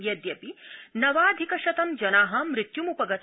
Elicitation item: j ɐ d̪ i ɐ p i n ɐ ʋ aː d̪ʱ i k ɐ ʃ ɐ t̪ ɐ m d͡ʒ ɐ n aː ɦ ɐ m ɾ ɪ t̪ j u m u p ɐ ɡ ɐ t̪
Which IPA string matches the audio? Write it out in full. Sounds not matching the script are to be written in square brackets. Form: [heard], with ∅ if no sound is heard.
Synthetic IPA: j ɐ d̪ [j] ɐ p i n ɐ ʋ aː d̪ʱ i k ɐ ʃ ɐ t̪ ɐ m d͡ʒ ɐ n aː ɦ ɐ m ɾ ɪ t̪ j u m u p ɐ ɡ ɐ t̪